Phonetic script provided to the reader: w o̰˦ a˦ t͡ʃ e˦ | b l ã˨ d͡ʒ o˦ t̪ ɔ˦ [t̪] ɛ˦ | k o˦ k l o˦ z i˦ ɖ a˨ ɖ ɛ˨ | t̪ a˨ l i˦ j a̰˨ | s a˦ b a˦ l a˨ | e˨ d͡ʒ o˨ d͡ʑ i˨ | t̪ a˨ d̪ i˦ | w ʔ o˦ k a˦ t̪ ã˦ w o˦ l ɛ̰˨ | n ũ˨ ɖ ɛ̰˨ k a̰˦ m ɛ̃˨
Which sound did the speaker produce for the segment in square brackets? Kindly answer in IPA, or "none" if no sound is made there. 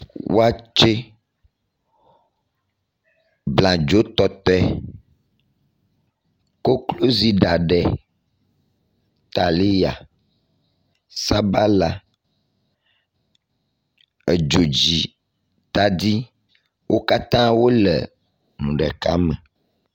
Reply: t̪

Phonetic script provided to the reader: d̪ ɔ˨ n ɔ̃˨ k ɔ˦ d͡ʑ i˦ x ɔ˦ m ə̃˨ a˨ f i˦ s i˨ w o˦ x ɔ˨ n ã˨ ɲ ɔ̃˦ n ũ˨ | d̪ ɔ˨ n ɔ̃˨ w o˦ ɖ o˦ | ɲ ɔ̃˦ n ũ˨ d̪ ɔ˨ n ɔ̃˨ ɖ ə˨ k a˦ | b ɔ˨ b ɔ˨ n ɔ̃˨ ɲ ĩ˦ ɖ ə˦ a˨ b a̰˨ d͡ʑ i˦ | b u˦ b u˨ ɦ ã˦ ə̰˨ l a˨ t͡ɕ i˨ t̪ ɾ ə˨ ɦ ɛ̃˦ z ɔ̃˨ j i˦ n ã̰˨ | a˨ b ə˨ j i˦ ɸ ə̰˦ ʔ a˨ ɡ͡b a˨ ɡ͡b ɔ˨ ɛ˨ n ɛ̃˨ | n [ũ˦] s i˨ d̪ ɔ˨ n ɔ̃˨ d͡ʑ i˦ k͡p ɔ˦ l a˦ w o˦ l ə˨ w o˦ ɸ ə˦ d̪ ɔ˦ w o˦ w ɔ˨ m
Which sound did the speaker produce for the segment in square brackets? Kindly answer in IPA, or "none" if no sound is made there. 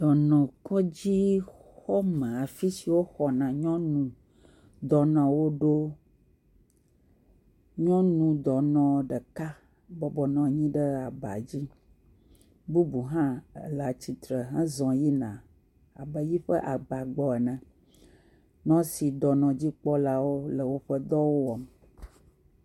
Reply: ɔ̃˦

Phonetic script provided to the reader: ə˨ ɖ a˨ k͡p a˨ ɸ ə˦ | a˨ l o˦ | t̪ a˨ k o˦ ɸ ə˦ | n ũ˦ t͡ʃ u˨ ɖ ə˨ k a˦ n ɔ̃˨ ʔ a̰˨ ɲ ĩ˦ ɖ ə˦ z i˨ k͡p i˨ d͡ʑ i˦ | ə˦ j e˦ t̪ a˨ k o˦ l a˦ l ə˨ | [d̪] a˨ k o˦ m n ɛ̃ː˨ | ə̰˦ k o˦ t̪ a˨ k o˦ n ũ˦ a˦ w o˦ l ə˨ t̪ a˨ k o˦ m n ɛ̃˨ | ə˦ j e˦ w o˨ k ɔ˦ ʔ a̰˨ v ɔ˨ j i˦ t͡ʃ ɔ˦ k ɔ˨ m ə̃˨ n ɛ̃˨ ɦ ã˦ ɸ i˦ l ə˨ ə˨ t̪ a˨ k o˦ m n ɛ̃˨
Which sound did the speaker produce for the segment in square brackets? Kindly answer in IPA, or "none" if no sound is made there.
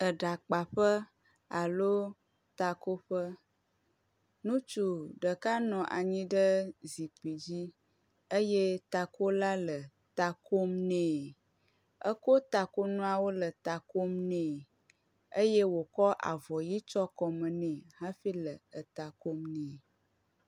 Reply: t̪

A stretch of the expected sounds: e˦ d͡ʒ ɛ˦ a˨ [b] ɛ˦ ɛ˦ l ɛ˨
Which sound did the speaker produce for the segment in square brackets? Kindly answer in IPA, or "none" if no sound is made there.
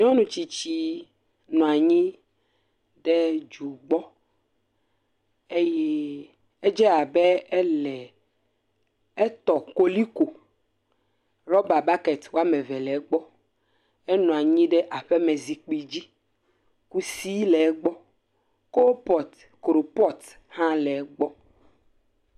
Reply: b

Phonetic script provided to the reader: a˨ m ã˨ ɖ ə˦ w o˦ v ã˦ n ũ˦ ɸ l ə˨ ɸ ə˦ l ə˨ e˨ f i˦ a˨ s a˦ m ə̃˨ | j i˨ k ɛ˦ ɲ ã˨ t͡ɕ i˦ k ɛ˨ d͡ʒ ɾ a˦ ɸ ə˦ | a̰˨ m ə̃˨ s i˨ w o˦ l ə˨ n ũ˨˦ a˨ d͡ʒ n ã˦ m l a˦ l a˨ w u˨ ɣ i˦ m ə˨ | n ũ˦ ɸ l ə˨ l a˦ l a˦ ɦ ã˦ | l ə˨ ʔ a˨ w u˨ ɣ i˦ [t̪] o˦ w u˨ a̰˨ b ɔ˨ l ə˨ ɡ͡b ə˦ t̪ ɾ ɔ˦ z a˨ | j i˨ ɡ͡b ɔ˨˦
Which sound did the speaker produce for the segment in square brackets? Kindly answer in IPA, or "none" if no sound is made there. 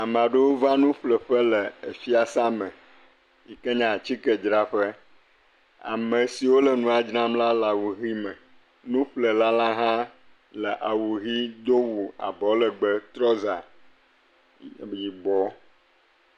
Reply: d̪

